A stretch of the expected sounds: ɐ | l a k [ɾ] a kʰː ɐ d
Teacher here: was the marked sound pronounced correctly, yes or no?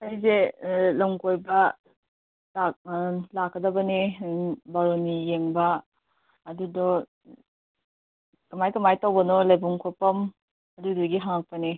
no